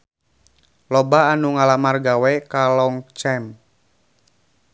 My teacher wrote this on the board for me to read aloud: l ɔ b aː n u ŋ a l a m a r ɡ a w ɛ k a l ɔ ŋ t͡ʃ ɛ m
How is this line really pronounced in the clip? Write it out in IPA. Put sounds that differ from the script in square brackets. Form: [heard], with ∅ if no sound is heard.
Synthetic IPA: l ɔ b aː n u ŋ a l a m a r ɡ a w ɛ k a l ɔ ŋ t͡ʃ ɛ m